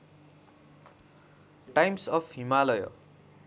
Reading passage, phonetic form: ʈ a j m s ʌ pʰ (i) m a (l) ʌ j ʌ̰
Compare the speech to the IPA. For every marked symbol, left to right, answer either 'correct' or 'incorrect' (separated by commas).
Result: correct, correct